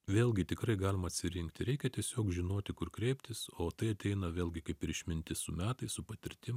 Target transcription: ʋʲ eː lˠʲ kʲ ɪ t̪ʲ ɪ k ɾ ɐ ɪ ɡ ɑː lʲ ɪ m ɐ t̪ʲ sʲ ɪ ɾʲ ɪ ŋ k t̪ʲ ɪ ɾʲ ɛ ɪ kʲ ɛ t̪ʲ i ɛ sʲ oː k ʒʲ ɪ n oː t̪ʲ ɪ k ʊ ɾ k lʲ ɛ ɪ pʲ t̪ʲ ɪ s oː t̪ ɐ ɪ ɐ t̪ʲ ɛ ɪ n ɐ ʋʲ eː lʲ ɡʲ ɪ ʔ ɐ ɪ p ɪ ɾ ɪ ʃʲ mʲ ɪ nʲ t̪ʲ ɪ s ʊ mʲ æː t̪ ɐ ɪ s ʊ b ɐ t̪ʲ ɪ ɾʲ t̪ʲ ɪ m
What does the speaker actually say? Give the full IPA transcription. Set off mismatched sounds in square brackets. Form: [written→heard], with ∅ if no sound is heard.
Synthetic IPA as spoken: ʋʲ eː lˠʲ [kʲ→ɡʲ] ɪ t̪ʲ ɪ k ɾ ɐ ɪ ɡ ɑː lʲ ɪ m ɐ t̪ʲ sʲ ɪ ɾʲ ɪ ŋ k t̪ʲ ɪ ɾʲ ɛ ɪ kʲ ɛ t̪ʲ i ɛ sʲ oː k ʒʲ ɪ n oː t̪ʲ ɪ k ʊ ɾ k [lʲ→ɾʲ] ɛ ɪ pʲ t̪ʲ ɪ s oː t̪ ɐ ɪ ɐ t̪ʲ ɛ ɪ n ɐ ʋʲ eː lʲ ɡʲ ɪ [ʔ→k] ɐ ɪ p ɪ ɾ ɪ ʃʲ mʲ ɪ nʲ t̪ʲ ɪ s ʊ mʲ æː t̪ ɐ ɪ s ʊ [b→p] ɐ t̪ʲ ɪ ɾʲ t̪ʲ ɪ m